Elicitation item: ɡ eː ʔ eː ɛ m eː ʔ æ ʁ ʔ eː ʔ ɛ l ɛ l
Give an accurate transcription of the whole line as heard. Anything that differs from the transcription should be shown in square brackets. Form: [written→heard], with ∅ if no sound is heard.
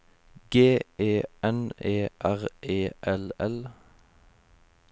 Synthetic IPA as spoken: ɡ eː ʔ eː ɛ [m→n] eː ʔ æ ʁ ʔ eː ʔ ɛ l ɛ l